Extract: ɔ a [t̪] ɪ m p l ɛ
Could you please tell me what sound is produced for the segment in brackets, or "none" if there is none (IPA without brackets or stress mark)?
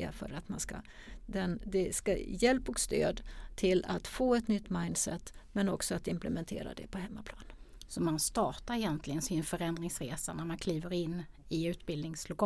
t̪